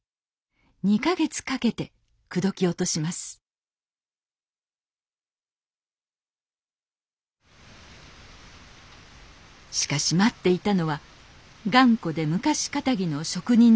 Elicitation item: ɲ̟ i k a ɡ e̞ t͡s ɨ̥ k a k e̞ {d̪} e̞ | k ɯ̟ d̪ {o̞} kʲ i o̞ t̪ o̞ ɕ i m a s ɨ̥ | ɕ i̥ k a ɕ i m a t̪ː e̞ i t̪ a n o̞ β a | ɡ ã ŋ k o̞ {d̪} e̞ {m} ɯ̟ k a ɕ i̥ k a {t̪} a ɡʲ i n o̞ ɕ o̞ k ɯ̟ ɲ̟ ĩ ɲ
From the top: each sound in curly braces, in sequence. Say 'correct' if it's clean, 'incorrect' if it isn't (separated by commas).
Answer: incorrect, correct, correct, correct, correct